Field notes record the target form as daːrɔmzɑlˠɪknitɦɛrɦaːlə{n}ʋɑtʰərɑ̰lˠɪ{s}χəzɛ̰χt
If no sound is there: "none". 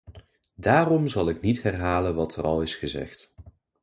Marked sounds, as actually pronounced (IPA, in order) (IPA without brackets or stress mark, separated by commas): n, s